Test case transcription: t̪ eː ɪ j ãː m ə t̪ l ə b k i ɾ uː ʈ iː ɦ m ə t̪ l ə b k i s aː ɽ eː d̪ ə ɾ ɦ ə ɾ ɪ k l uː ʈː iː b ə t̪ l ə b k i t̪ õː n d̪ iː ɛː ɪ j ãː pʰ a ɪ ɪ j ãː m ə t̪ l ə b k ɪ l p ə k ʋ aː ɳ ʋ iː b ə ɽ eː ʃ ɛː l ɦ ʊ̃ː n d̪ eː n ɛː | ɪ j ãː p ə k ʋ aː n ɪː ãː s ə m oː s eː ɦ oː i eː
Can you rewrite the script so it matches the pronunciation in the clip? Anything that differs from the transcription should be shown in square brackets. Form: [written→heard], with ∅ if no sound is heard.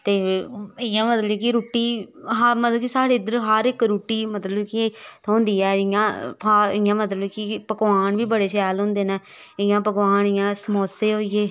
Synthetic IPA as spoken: t̪ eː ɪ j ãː m ə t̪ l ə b k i ɾ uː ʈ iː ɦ m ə t̪ l ə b k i s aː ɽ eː d̪ ə ɾ ɦ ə ɾ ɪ k [l→ɾ] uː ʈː iː [b→m] ə t̪ l ə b k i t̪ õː n d̪ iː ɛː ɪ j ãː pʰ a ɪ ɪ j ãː m ə t̪ l ə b k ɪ [l→∅] p ə k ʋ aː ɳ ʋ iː b ə ɽ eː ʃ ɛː l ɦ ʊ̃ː n d̪ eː n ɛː | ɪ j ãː p ə k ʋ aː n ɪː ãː s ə m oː s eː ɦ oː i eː